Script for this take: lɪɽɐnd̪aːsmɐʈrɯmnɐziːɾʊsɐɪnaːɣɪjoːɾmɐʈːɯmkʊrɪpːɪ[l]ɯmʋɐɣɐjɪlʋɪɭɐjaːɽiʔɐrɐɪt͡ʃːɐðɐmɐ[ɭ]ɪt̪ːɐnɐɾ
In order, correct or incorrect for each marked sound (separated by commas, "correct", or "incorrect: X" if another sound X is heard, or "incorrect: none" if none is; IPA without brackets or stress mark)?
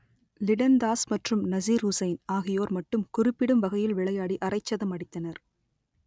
incorrect: ɽ, incorrect: ɽ